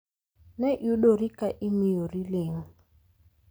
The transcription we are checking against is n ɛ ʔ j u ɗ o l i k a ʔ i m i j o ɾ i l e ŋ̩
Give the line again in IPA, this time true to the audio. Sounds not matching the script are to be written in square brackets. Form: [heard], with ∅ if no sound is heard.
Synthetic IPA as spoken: n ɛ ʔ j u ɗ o [ɾ] i k a ʔ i m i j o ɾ i l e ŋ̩